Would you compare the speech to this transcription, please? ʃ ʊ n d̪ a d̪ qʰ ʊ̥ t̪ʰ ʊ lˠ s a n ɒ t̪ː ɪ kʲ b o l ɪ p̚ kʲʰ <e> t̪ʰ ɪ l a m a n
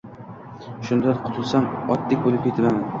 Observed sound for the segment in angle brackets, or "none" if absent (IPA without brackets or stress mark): e